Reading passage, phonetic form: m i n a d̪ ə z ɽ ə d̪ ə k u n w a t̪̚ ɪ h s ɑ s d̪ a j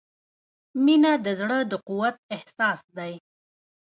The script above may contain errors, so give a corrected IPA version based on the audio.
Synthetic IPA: m i n a d̪ ə z ɽ ə d̪ ə q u w a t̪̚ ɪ h s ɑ s d̪ a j